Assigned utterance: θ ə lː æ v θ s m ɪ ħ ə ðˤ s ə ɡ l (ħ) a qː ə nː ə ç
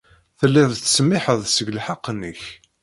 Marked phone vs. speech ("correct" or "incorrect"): correct